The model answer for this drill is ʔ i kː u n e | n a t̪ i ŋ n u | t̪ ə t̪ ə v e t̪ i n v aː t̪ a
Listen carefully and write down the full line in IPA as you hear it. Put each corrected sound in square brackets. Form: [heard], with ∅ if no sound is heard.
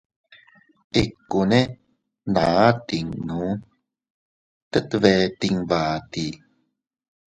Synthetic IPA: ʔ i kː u n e | n a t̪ i ŋ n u | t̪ ə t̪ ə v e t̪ i [ŋ] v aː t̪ [i]